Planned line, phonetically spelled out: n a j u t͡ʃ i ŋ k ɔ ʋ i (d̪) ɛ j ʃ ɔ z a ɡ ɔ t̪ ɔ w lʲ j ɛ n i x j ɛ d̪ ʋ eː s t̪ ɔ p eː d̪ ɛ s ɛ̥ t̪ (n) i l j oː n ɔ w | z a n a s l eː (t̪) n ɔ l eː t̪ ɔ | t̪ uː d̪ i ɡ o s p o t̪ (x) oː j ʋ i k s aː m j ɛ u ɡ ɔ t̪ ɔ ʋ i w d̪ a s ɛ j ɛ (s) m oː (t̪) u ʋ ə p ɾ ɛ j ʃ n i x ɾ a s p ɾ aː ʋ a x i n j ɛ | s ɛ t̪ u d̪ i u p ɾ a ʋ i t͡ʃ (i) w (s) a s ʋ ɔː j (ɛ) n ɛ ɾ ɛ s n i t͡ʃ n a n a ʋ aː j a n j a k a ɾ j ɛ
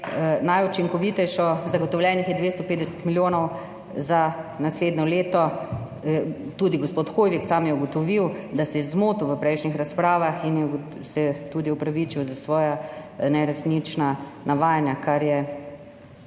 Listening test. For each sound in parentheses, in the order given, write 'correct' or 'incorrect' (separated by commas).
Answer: incorrect, incorrect, incorrect, correct, incorrect, correct, correct, incorrect, incorrect